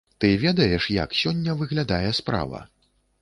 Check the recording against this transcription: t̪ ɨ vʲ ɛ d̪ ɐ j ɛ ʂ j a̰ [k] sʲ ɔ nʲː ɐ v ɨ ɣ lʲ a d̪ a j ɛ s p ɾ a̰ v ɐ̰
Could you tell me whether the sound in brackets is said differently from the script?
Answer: no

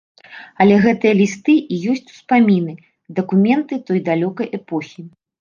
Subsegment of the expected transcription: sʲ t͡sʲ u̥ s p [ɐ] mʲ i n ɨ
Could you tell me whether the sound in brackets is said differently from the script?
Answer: yes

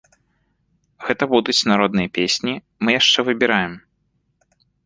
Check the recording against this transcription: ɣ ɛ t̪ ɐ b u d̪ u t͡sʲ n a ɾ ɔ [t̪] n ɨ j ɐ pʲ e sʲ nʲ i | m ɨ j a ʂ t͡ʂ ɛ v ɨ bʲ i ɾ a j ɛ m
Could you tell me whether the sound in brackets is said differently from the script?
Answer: yes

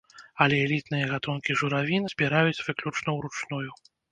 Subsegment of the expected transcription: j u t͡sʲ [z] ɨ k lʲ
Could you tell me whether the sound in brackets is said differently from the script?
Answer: yes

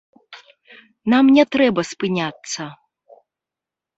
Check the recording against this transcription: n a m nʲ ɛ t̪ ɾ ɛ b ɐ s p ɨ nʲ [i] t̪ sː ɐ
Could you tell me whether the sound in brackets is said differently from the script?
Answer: yes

